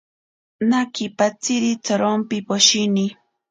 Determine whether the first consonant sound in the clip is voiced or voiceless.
voiced